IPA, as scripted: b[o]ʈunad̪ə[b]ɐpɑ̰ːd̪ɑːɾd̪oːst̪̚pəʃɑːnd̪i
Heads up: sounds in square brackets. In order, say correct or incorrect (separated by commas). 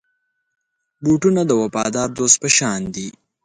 incorrect, incorrect